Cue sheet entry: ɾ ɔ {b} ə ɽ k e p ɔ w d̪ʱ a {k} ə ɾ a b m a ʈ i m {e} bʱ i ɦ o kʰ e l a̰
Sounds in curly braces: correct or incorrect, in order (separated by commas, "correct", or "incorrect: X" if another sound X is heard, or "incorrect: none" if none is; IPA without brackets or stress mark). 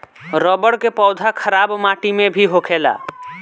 correct, incorrect: kʰ, correct